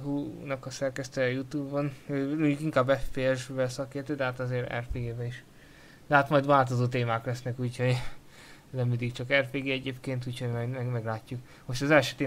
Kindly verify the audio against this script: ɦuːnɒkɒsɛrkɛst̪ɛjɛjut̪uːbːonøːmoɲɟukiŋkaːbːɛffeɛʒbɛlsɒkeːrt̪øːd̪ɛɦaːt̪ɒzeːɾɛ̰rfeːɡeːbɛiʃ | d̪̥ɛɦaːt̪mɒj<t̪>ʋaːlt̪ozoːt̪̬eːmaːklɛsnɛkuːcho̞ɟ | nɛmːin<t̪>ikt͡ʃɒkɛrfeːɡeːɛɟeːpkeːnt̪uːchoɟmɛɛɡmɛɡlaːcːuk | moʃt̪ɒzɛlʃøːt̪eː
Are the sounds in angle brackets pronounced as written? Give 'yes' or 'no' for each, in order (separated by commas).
no, no